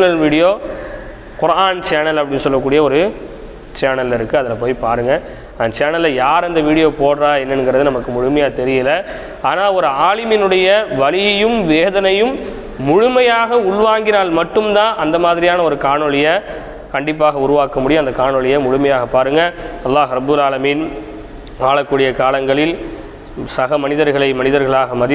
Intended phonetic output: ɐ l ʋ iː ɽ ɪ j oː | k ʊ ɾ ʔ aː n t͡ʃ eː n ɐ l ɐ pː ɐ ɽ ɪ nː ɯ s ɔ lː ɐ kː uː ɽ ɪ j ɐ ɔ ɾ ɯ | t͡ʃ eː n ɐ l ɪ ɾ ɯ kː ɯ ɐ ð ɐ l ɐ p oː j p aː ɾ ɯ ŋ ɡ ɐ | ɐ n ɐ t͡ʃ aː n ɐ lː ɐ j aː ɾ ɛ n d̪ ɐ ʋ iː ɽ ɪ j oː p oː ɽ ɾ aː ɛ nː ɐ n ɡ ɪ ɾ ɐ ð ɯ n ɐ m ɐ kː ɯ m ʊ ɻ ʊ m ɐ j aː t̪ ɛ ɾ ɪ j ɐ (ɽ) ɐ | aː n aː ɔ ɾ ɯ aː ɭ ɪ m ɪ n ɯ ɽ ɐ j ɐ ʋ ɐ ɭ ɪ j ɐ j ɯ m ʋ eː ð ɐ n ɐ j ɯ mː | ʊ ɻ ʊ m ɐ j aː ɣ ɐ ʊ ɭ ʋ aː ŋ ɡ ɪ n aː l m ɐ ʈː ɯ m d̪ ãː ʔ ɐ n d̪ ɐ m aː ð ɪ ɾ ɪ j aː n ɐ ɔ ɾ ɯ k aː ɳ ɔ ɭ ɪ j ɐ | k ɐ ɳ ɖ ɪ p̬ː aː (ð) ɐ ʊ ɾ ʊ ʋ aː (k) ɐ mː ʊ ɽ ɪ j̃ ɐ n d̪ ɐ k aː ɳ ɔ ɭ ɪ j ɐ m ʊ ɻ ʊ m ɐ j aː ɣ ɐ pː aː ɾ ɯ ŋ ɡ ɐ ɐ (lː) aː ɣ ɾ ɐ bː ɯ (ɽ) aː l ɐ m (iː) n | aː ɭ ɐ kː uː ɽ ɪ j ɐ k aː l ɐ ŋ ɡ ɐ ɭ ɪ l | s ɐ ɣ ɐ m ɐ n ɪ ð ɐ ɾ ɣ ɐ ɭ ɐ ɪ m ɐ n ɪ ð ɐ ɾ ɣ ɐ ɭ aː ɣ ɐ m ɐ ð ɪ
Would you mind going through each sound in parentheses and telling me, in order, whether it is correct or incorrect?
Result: incorrect: l, incorrect: ɣ, correct, correct, incorrect: l, correct

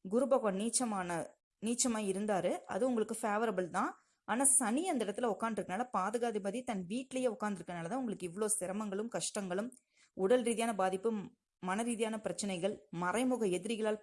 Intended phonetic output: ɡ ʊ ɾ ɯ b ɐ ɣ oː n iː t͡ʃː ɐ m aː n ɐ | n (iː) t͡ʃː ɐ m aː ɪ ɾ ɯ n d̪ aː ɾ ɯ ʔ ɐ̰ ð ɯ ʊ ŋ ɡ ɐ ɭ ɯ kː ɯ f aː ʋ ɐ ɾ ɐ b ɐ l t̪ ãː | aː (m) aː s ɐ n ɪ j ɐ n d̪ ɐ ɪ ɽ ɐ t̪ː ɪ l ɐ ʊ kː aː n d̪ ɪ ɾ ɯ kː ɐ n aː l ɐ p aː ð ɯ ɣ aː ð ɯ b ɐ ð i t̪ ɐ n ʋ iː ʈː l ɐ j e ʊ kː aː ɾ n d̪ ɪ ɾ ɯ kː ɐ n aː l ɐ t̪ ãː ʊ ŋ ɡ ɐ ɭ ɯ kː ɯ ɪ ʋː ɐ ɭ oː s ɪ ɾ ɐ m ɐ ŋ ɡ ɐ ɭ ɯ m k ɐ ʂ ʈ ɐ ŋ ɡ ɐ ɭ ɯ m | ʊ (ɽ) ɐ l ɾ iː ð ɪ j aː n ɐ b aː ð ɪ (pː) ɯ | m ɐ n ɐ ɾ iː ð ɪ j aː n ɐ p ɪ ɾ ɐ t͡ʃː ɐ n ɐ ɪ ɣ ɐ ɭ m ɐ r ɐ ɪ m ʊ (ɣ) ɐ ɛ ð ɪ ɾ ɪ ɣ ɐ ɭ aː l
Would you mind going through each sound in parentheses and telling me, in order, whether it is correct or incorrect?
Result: correct, incorrect: n, correct, correct, correct

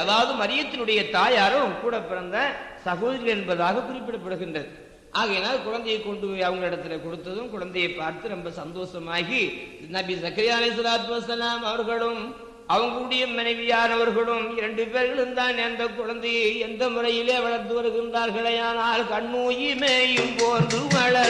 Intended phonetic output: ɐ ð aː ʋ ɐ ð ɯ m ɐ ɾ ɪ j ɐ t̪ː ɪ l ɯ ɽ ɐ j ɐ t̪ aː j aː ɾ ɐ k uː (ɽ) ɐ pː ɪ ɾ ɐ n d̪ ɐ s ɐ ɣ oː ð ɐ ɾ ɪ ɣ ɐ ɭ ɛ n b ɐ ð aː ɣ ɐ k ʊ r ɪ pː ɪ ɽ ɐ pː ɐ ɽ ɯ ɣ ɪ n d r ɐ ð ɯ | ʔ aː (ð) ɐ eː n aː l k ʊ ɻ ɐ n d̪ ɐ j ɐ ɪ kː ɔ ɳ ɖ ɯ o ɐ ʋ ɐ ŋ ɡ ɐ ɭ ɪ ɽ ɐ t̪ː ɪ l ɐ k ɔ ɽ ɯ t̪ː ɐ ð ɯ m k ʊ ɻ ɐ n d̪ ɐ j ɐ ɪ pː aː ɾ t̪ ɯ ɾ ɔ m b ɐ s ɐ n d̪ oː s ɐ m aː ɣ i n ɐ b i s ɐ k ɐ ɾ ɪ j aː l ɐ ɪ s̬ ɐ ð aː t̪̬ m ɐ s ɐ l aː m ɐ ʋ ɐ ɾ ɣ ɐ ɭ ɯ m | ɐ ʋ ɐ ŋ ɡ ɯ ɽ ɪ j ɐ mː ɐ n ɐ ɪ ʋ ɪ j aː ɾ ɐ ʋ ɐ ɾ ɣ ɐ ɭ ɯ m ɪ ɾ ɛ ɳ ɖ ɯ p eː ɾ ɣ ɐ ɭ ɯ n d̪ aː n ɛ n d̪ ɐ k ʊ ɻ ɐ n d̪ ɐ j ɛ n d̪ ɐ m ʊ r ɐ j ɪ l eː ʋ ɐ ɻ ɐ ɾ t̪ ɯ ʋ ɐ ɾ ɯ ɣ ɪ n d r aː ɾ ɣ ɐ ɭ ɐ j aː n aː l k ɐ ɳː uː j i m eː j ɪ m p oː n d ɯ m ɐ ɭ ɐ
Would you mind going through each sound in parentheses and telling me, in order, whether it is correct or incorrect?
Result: correct, incorrect: ɣ

